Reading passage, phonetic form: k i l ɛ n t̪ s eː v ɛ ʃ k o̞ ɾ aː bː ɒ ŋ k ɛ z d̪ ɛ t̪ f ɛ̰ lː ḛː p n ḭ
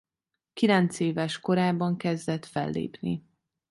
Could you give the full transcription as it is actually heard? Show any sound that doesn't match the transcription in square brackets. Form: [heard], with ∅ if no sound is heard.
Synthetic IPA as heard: k i l ɛ n t̪ s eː v ɛ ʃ k o̞ ɾ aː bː ɒ ŋ k ɛ z d̪ ɛ t̪ f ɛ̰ lː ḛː p n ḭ